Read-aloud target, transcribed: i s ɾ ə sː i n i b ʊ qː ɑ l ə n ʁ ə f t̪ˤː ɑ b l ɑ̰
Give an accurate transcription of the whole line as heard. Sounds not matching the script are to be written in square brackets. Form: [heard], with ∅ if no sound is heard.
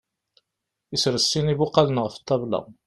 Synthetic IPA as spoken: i s ɾ ə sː i n i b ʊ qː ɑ l ə n ʁ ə f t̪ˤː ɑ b l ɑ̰